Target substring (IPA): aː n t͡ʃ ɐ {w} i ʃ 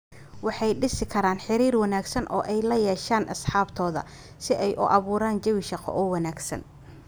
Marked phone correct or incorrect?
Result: correct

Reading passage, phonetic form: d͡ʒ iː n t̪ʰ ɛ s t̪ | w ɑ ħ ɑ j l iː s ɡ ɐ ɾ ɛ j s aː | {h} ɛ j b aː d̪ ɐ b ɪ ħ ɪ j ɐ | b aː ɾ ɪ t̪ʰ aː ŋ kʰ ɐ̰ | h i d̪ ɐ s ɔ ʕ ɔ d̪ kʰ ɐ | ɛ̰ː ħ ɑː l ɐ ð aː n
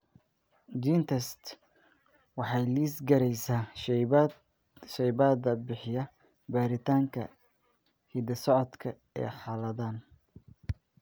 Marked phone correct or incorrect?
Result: incorrect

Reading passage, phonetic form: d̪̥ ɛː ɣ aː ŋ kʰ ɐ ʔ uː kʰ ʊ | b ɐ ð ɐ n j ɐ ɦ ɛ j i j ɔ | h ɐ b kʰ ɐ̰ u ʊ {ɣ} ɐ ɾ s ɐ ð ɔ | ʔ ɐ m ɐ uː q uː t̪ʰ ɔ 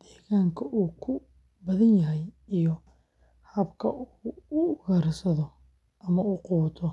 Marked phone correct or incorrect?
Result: correct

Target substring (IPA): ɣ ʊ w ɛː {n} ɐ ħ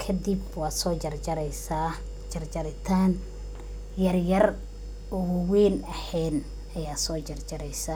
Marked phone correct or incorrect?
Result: correct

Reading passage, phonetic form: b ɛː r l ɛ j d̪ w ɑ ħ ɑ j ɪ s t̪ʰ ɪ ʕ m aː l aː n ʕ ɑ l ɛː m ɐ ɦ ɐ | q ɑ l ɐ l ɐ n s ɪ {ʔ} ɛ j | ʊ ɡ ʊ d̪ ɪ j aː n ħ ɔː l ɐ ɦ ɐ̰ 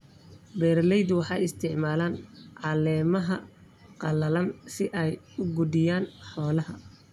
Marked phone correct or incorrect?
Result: correct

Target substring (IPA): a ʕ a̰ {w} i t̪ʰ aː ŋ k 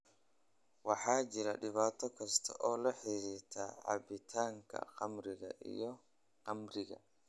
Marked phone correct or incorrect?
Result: incorrect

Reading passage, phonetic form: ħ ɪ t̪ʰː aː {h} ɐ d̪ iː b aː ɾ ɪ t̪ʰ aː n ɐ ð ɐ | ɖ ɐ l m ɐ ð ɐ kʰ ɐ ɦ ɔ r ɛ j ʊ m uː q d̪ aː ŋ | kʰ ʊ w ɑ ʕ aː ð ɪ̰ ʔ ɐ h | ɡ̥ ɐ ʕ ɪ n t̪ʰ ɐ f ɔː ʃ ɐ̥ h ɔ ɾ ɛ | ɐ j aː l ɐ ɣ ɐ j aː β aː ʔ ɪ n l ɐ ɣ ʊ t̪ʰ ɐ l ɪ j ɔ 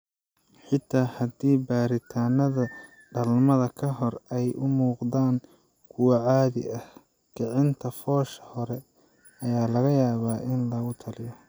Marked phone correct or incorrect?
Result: correct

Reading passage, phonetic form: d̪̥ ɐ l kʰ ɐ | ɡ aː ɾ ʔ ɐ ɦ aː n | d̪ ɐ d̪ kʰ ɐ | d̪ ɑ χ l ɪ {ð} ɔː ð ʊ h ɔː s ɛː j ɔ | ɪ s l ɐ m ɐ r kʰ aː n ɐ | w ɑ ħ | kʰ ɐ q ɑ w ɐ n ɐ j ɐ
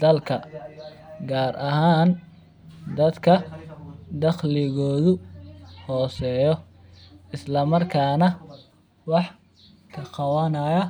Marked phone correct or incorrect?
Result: incorrect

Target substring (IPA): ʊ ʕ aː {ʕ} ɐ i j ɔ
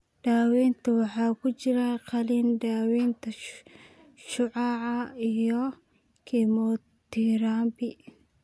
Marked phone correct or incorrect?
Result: correct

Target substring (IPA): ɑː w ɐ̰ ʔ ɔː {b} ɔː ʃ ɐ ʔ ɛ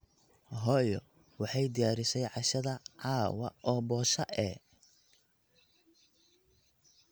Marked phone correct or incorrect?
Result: correct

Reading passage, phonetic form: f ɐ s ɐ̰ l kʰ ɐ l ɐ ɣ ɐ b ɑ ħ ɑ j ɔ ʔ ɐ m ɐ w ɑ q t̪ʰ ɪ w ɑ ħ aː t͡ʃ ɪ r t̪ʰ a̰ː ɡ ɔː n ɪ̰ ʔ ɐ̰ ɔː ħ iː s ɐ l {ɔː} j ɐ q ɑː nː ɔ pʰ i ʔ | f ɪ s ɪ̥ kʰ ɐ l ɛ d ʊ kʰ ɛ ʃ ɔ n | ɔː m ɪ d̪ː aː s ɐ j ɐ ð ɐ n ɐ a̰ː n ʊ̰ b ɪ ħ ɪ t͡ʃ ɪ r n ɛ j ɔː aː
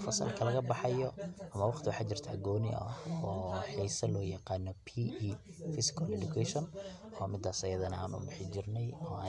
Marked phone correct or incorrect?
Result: correct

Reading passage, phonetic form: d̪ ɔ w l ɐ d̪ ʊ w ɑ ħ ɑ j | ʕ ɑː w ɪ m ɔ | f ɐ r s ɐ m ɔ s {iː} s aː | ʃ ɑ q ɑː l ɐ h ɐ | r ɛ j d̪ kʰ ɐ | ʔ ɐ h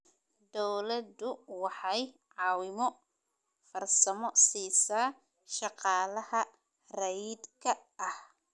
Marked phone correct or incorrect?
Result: correct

